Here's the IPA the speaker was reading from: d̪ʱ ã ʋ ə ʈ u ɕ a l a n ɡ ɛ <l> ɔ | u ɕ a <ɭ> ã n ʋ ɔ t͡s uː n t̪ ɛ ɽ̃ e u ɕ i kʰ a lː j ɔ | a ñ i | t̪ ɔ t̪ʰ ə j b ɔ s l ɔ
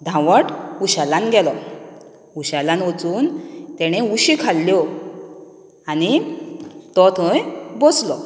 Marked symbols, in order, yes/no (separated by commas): yes, no